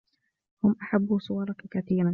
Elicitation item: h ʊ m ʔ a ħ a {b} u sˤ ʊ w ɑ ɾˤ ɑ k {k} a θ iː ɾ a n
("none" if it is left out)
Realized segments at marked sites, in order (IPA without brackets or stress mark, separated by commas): bː, k